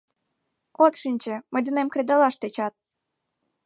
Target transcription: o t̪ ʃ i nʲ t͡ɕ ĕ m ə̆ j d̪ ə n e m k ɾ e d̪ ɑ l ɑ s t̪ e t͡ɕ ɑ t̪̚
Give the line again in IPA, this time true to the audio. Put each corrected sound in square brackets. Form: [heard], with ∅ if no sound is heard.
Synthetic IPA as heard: o t̪ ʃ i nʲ t͡ɕ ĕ m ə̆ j d̪ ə n e m k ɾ e d̪ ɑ l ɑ [ʃ] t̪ e t͡ɕ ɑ t̪̚

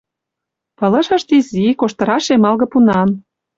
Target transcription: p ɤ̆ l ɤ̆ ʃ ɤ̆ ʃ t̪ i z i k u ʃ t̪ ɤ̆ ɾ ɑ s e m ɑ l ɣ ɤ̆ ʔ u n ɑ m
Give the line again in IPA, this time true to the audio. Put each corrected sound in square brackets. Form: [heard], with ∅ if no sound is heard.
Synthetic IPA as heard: p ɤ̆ l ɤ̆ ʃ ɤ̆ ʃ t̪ i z i k [o] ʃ t̪ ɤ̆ ɾ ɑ [ʃ] e m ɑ l ɣ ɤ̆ [p] u n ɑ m

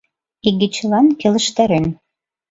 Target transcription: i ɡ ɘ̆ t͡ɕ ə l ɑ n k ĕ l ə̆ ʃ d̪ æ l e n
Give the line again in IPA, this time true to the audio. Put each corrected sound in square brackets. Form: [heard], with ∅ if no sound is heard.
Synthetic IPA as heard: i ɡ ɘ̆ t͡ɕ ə l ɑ n k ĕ l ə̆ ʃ [t̪] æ [ɾ] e n

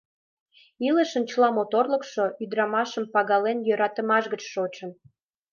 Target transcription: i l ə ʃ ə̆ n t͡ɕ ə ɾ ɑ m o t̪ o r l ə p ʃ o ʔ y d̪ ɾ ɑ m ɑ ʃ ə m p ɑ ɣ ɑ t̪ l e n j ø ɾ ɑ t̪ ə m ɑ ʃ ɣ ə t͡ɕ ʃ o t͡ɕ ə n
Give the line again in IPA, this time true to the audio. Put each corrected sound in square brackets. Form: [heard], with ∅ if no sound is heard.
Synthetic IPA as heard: i l ə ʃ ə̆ n t͡ɕ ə [l] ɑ m o t̪ o r l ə [k] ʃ o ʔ y d̪ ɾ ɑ m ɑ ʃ ə m p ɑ ɣ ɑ [∅] l e n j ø ɾ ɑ t̪ ə m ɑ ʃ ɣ ə t͡ɕ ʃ o t͡ɕ ə n

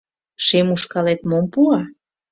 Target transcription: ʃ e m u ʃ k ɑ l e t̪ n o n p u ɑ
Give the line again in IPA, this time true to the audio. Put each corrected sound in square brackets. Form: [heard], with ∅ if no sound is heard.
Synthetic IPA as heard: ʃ e m u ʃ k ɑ l e t̪ [m] o [m] p u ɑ

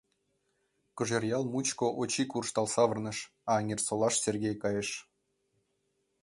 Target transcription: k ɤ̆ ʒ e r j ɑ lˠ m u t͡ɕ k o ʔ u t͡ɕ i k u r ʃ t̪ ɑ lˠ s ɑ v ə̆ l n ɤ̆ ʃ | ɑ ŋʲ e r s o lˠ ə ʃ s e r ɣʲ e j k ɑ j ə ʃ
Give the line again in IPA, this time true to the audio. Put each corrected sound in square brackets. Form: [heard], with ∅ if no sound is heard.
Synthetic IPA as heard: k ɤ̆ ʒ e r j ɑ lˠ m u t͡ɕ k o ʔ [o] t͡ɕ i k u r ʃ t̪ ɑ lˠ s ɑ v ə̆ [r] n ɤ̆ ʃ | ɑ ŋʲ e r s o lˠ [ɑ] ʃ s e r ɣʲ e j k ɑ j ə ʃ

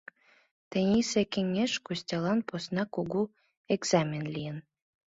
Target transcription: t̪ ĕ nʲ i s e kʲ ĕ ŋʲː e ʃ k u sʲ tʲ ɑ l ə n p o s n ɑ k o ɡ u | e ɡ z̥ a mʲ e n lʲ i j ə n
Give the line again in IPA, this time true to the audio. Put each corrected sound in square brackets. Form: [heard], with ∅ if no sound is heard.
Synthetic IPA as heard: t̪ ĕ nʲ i s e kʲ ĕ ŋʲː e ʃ k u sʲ tʲ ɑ l [ɑ] n p o s n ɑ k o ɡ u | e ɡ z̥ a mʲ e n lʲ i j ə n

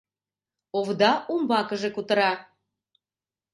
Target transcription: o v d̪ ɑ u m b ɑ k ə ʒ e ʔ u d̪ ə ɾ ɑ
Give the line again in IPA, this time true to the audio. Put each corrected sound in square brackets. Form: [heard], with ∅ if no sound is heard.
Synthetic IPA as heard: o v d̪ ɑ u m b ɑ k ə ʒ e [k] u [t̪] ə ɾ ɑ

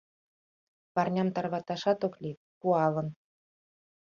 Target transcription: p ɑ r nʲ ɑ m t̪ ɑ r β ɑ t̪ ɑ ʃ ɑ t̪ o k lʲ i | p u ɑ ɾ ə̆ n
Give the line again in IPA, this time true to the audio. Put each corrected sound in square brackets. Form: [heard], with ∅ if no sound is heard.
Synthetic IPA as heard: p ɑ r nʲ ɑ m t̪ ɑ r β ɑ t̪ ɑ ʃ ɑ t̪ o k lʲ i | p u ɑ [l] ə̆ n

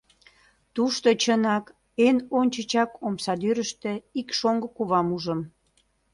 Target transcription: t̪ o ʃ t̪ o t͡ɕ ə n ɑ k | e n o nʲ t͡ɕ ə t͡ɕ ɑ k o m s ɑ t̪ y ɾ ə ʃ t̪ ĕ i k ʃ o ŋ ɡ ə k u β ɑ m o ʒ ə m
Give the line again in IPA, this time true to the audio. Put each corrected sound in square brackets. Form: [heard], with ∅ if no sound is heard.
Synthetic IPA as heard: t̪ [u] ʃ t̪ o t͡ɕ ə n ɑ k | e n o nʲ t͡ɕ ə t͡ɕ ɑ k o m s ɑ [d̪] y ɾ ə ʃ t̪ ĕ i k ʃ o ŋ ɡ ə k u β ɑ m [u] ʒ ə m

